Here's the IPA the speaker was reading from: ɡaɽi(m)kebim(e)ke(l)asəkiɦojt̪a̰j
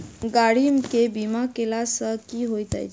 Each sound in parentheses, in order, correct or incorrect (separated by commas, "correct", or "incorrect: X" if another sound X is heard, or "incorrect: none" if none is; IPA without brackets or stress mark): correct, incorrect: a, correct